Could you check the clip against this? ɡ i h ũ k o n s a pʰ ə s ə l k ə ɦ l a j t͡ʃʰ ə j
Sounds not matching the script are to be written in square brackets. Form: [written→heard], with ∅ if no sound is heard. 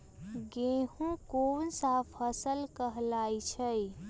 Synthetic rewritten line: ɡ [i→e] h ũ k o n s a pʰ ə s ə l k ə ɦ l a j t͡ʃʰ ə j